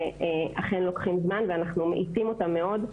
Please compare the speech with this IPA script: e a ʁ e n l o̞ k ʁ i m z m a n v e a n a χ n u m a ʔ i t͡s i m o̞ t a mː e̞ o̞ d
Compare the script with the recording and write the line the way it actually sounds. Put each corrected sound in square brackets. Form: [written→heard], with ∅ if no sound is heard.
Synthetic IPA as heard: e a [ʁ→χ] e n l o̞ k [ʁ→χ] i m z m a n v e a n a χ n u m [a→e] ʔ i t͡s i m o̞ t a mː e̞ o̞ d